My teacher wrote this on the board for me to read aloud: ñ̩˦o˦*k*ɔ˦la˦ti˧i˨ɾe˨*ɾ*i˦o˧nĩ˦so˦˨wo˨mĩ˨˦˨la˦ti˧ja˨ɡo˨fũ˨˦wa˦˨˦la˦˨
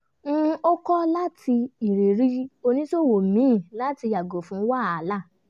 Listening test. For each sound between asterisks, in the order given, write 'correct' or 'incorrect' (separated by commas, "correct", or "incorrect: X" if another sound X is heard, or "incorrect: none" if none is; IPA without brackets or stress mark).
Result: correct, correct